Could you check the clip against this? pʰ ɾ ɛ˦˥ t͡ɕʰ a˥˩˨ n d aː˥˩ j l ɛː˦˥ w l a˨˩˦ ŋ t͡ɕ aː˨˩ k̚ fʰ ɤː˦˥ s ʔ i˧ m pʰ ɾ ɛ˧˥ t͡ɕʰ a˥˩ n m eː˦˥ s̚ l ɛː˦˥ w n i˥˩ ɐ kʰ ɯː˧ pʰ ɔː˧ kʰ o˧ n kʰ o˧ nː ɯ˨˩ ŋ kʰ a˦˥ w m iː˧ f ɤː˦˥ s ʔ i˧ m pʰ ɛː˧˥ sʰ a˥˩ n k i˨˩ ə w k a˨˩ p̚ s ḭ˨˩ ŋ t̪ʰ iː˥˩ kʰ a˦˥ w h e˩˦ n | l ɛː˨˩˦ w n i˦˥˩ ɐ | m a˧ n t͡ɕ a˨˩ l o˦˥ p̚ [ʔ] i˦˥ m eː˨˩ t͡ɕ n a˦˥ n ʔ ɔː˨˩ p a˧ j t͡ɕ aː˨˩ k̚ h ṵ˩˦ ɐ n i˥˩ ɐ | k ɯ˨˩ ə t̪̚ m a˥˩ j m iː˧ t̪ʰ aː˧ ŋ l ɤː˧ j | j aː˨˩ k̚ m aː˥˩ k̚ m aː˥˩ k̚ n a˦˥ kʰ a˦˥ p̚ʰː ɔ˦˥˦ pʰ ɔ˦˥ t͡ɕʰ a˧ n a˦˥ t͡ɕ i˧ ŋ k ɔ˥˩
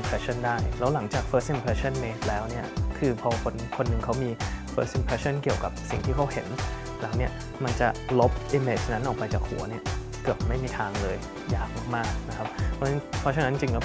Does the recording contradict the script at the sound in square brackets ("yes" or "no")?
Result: no